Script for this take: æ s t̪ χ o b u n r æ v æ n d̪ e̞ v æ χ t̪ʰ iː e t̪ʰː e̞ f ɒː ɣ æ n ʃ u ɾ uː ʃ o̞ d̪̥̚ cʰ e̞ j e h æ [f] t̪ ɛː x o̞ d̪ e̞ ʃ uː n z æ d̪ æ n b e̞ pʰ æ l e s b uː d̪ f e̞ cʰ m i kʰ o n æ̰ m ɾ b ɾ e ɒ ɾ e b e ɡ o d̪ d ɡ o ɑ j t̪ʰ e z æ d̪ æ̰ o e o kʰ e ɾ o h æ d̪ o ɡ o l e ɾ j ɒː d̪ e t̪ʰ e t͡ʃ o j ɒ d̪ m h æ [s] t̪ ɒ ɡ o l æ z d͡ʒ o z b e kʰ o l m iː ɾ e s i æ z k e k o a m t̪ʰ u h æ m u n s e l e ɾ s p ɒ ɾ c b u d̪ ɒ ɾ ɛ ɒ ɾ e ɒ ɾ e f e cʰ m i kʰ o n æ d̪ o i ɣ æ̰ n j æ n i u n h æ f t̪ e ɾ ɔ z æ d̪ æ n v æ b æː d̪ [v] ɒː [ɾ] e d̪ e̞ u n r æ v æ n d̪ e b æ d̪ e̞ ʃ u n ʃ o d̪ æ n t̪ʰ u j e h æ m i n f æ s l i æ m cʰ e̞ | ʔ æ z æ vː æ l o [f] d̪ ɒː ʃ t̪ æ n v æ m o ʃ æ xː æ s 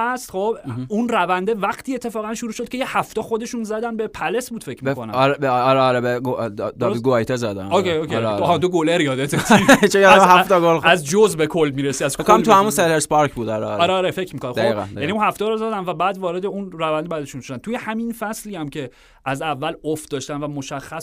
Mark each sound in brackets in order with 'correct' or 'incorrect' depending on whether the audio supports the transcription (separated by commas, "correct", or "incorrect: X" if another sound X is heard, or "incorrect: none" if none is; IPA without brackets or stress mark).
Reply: correct, incorrect: f, correct, correct, correct